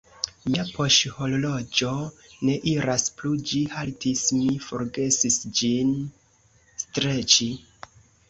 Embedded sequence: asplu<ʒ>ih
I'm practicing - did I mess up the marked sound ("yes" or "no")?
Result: yes